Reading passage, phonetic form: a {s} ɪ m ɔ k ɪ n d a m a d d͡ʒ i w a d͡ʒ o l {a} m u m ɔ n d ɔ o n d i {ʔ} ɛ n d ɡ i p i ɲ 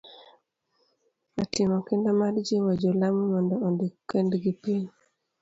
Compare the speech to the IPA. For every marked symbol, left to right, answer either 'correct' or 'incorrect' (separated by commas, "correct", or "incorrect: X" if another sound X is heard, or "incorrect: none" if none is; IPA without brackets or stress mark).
incorrect: t, correct, incorrect: k